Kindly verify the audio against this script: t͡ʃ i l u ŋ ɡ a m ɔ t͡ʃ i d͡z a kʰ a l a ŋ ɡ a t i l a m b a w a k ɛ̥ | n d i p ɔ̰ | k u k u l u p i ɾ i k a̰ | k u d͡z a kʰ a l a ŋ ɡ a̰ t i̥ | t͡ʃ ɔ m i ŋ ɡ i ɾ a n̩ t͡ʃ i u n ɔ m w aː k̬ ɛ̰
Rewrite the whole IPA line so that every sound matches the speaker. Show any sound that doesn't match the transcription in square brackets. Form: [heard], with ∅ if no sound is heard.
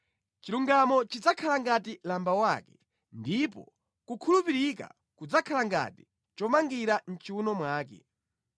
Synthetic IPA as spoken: t͡ʃ i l u ŋ ɡ a m ɔ t͡ʃ i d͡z a kʰ a l a ŋ ɡ a t i l a m b a w a k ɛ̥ | n d i p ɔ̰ | k u [kʰ] u l u p i ɾ i k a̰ | k u d͡z a kʰ a l a ŋ ɡ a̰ t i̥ | t͡ʃ ɔ m [a] ŋ ɡ i ɾ a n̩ t͡ʃ i u n ɔ m w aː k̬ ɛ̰